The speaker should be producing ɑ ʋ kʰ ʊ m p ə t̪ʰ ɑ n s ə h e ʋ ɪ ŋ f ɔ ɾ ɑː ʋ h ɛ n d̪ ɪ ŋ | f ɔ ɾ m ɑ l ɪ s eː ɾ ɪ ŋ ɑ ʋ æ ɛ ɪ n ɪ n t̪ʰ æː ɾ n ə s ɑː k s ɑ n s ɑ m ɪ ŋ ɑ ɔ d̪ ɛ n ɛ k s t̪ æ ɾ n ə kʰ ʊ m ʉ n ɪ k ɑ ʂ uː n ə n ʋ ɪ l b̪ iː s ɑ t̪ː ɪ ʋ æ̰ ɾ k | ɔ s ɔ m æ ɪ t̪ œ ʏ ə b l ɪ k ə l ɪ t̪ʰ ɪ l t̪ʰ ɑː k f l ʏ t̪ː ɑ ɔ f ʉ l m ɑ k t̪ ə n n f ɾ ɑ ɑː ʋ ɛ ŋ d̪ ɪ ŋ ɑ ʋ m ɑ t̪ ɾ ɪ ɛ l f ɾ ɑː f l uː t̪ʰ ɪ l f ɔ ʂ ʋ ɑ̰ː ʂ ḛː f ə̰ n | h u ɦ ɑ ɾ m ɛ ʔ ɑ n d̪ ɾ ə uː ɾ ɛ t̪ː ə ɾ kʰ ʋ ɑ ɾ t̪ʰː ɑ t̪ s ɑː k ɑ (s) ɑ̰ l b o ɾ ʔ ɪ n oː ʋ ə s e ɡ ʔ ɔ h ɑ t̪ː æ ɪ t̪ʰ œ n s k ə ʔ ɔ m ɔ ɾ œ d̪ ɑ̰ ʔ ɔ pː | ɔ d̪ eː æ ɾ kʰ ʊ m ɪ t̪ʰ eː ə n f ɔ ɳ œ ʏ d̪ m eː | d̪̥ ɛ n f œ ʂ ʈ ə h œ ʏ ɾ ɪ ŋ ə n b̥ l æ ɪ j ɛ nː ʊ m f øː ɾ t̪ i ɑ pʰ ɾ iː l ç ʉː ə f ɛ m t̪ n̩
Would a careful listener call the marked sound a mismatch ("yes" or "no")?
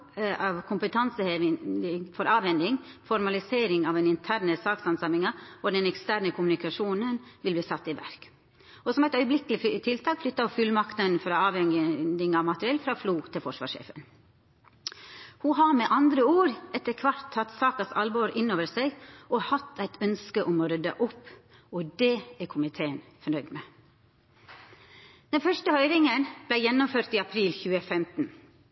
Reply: no